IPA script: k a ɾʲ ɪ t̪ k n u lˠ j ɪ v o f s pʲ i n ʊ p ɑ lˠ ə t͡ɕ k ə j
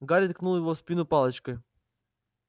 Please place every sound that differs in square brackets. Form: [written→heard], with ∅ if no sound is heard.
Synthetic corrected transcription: [k→ɡ] a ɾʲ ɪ t̪ k n u lˠ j ɪ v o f s pʲ i n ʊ p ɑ lˠ ə t͡ɕ k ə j